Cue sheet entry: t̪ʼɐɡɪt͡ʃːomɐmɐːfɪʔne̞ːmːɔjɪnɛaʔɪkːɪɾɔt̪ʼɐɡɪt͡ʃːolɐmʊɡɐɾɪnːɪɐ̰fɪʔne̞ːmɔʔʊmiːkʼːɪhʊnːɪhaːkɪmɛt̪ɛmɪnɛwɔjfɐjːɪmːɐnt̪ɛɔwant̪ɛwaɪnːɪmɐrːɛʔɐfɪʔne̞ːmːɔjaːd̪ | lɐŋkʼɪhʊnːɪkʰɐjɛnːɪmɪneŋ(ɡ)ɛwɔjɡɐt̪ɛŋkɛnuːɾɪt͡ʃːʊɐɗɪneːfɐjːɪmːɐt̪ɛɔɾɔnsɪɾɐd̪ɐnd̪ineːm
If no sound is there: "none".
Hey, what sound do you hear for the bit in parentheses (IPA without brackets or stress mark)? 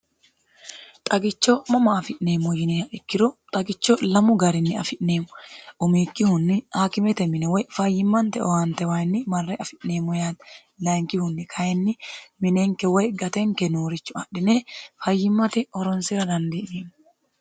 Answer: k